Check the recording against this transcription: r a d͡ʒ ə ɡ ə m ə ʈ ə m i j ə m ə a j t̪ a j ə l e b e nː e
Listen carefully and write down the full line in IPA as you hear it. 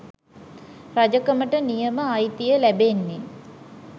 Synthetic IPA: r a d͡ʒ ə k ə m ə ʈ ə n i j ə m ə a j t̪ i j ə l æ b e nː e